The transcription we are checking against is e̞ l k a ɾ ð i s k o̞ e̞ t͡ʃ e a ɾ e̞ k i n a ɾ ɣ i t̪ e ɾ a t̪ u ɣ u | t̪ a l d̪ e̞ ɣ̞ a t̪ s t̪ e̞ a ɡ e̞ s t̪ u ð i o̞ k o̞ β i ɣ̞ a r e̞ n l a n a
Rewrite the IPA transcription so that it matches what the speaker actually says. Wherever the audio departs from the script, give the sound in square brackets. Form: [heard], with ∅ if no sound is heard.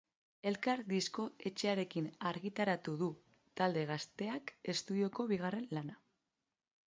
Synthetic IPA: e̞ l k a ɾ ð i s k o̞ e̞ t͡ʃ e a ɾ e̞ k i n a ɾ ɣ i t̪ [a] ɾ a t̪ u [ð] u | t̪ a l d̪ e̞ ɣ̞ a [∅] s t̪ e̞ a [k] e̞ s t̪ u ð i o̞ k o̞ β i ɣ̞ a r e̞ n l a n a